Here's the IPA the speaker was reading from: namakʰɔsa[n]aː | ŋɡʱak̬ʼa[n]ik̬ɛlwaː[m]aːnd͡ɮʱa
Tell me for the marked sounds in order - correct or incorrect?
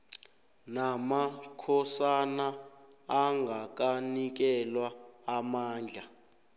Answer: correct, correct, correct

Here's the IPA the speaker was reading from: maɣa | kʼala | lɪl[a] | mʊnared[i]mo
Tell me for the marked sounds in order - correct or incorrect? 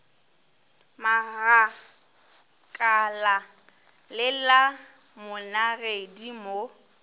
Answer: correct, correct

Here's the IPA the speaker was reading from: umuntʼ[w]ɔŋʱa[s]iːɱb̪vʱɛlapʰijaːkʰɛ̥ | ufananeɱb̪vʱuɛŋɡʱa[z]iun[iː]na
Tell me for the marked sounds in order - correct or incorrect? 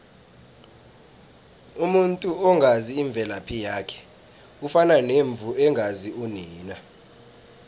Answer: incorrect: u, incorrect: z, correct, correct

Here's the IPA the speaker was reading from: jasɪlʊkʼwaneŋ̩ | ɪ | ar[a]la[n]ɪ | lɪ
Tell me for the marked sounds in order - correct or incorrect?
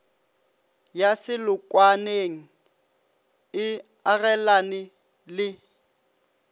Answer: incorrect: ɛ, correct

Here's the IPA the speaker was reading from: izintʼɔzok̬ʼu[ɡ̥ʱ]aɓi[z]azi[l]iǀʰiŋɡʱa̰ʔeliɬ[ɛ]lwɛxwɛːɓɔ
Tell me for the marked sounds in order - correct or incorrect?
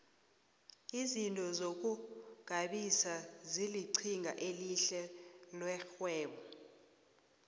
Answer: correct, incorrect: s, correct, correct

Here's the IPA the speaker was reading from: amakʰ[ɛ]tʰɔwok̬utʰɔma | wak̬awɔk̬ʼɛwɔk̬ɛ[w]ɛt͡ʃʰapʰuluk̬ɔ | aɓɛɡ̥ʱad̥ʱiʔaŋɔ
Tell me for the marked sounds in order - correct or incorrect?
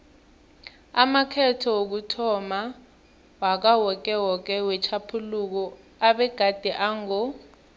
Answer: correct, correct

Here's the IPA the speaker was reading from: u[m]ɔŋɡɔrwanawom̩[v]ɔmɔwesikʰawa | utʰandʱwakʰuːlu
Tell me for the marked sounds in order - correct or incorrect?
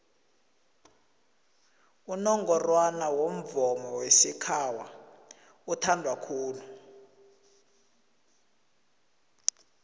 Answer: incorrect: n, correct

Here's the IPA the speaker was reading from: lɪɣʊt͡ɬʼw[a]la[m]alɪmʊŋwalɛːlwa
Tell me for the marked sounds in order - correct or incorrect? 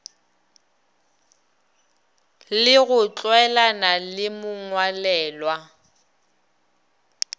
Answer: incorrect: ɛ, incorrect: n

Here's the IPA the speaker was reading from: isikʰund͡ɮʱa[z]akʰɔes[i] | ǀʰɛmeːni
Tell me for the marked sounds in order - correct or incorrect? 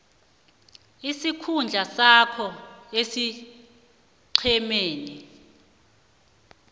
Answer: incorrect: s, correct

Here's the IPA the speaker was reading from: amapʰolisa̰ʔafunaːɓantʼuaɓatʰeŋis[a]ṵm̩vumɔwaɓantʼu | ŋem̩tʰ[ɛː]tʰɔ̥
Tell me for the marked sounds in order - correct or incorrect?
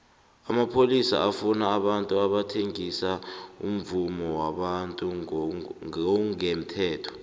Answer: correct, correct

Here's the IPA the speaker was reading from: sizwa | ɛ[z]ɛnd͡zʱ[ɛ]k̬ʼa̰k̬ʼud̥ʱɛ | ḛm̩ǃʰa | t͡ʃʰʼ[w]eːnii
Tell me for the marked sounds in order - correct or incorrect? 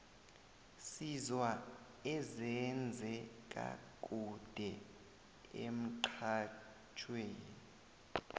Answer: correct, correct, correct

